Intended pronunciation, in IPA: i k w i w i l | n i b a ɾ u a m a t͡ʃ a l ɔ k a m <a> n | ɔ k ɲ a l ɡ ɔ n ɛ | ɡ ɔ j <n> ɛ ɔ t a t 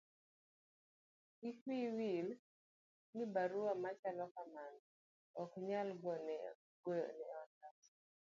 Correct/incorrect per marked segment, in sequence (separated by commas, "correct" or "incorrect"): correct, correct